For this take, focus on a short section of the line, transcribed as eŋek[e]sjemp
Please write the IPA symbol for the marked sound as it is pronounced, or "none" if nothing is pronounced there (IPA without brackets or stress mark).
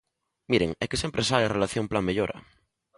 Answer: e